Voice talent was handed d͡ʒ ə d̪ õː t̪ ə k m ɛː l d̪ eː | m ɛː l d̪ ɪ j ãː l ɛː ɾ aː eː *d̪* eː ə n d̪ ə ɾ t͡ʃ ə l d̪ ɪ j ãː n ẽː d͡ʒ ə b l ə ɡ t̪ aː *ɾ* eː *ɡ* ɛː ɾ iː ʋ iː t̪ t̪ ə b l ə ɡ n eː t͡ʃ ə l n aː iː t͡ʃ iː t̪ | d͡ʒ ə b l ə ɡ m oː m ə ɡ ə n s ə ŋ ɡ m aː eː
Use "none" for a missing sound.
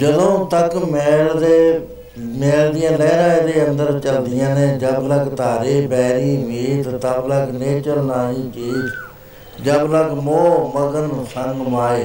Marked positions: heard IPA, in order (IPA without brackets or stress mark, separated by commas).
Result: d̪, ɾ, b